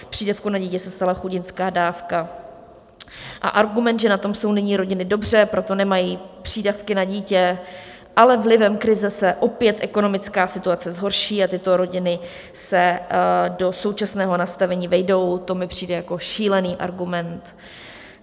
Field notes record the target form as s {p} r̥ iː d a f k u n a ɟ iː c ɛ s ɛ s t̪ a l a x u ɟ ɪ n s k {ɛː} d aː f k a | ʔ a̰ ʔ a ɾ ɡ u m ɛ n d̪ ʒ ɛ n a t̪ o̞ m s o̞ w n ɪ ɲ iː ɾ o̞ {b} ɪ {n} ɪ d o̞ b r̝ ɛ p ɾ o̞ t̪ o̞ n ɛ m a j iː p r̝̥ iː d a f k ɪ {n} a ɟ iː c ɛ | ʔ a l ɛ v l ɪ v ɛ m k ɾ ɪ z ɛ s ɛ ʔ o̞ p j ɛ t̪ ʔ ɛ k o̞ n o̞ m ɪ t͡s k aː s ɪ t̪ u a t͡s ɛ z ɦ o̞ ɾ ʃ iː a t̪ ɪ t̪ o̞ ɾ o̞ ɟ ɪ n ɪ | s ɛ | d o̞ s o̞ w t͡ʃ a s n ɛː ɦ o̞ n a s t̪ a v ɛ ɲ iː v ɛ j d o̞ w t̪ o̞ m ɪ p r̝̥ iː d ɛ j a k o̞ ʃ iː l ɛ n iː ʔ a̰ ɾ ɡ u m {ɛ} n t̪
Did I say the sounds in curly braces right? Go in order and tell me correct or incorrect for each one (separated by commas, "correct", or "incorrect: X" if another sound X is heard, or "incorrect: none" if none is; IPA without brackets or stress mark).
correct, incorrect: aː, incorrect: ɟ, correct, correct, correct